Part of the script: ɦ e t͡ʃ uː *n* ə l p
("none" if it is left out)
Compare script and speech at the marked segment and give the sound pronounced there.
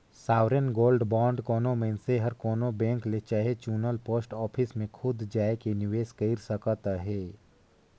n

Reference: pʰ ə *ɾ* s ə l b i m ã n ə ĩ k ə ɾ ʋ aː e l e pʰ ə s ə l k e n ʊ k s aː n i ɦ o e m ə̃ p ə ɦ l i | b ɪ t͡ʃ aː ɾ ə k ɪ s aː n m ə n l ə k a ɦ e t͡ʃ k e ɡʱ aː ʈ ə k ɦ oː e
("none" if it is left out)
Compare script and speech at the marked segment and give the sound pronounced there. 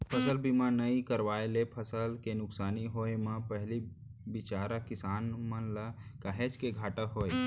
none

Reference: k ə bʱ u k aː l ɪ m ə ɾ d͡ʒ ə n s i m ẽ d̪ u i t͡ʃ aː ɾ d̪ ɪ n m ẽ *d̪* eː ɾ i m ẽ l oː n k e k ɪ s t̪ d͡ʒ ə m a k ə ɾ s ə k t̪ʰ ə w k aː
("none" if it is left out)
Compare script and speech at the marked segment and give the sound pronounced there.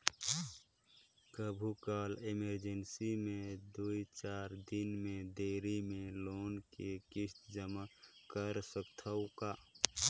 d̪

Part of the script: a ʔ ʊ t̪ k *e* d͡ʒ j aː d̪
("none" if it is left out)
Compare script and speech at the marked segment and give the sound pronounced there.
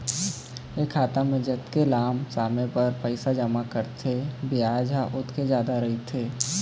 e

